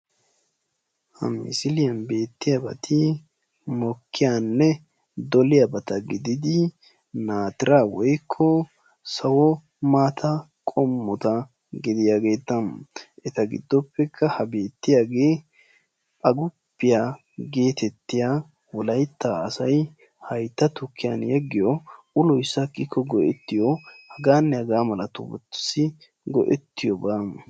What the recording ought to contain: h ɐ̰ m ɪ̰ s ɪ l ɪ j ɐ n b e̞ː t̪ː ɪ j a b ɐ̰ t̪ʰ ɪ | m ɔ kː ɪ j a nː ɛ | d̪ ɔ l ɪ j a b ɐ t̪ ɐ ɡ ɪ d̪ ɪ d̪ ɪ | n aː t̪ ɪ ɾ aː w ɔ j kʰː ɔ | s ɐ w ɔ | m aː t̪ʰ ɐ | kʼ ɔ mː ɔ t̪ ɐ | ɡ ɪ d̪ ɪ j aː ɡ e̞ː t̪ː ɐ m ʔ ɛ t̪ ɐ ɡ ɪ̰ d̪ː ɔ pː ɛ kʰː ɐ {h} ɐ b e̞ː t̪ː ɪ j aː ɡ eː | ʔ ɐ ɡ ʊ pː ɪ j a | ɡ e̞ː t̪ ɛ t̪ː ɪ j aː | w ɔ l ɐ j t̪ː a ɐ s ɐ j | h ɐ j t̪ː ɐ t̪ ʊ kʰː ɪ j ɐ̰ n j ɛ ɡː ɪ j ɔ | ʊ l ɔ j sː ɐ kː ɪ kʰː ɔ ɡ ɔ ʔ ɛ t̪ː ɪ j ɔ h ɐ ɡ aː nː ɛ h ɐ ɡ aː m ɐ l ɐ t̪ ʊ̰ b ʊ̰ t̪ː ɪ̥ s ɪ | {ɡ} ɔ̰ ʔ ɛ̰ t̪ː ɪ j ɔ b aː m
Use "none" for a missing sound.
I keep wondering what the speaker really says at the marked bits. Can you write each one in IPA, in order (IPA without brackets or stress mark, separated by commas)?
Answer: h, ɡ